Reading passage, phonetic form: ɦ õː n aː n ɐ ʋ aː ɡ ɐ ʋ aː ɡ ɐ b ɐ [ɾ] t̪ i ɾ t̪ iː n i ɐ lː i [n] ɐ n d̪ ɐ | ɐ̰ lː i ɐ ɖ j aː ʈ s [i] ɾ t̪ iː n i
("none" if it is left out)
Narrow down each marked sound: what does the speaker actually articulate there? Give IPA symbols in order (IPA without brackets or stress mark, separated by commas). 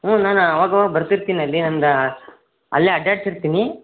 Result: ɾ, n, i